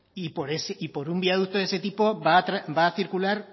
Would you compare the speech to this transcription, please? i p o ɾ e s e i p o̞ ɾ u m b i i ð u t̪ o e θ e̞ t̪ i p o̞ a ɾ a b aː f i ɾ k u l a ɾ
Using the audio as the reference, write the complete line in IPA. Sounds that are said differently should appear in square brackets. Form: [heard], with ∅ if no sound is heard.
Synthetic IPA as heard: i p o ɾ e s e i p o̞ ɾ u m b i [a] ð u t̪ o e [s] e̞ t̪ i p o̞ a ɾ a b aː [θ] i ɾ k u l a ɾ